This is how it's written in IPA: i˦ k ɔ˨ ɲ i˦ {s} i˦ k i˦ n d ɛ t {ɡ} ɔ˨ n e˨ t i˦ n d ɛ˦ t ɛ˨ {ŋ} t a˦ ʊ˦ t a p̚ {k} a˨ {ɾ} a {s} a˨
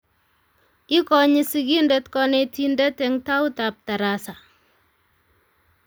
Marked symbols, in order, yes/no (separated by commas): yes, no, yes, no, yes, yes